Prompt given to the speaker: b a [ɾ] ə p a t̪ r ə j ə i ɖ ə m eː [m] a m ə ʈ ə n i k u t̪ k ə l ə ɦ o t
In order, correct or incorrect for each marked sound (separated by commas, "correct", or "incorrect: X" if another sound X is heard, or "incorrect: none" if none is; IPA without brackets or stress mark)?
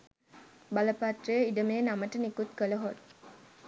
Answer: incorrect: l, incorrect: n